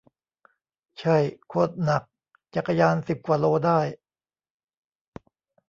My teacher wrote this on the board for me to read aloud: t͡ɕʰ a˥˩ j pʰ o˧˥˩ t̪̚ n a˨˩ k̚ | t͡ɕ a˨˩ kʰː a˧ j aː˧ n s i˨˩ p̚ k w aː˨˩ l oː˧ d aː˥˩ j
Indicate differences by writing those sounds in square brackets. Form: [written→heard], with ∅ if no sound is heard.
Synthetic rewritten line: t͡ɕʰ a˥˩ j [pʰ→kʰ] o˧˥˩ t̪̚ n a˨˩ k̚ | t͡ɕ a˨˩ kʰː a˧ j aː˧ n s i˨˩ p̚ k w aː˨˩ l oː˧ d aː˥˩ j